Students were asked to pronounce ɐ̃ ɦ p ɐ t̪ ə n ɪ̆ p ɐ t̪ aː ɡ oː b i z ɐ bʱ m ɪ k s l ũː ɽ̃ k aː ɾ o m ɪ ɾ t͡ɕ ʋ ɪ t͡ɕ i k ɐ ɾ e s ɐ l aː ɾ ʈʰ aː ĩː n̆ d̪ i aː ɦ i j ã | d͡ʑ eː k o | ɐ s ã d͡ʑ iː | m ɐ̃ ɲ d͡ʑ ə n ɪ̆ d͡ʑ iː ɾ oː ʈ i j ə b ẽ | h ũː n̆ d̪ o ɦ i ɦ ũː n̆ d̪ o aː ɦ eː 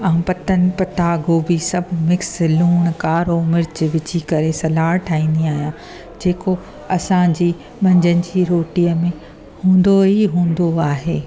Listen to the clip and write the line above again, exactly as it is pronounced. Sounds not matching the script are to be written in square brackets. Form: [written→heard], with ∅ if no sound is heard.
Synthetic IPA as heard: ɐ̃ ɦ p ɐ t̪ ə n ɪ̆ p ɐ t̪ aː ɡ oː b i [z→s] ɐ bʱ m ɪ k s l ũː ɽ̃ k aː ɾ o m ɪ ɾ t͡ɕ ʋ ɪ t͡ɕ i k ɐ ɾ e s ɐ l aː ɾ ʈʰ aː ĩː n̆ d̪ i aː ɦ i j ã | d͡ʑ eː k o | ɐ s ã d͡ʑ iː | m ɐ̃ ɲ d͡ʑ ə n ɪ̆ d͡ʑ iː ɾ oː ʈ i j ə [b→m] ẽ | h ũː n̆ d̪ o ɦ i ɦ ũː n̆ d̪ o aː ɦ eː